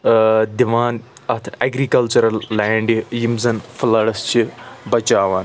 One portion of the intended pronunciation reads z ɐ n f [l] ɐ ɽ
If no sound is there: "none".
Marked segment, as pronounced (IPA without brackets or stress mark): l